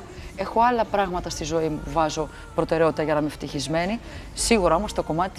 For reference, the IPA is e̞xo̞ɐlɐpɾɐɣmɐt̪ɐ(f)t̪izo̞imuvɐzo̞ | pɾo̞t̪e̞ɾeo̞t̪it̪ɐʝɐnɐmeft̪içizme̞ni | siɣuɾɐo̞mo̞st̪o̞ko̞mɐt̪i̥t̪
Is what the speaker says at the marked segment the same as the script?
no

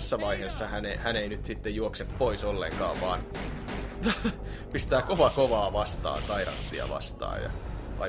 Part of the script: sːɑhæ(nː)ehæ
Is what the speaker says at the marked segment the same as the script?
no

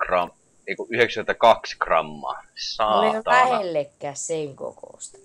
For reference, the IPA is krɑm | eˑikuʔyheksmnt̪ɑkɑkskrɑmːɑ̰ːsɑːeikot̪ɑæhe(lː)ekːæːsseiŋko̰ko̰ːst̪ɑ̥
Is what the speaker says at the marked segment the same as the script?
yes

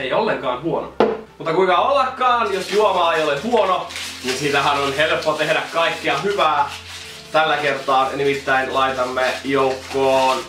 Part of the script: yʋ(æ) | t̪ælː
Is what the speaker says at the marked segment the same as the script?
no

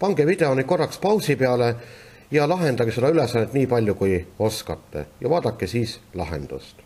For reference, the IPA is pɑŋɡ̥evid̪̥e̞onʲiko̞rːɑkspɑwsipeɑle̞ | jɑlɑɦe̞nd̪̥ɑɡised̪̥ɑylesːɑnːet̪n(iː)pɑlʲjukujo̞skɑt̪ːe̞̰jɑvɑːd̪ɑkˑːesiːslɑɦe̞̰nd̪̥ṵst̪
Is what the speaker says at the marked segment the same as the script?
yes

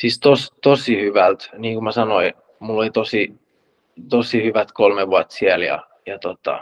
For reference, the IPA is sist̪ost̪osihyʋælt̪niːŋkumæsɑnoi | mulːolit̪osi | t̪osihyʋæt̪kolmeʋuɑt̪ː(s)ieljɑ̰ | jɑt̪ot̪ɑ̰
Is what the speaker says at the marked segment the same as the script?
yes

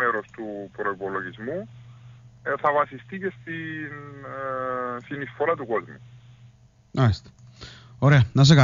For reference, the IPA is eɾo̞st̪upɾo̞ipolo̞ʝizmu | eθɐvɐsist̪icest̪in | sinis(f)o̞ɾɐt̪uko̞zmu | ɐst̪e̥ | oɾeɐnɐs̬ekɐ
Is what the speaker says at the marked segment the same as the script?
yes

